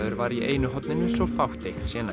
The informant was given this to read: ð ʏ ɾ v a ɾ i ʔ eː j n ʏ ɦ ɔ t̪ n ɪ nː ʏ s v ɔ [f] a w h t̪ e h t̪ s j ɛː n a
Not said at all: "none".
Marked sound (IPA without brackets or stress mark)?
f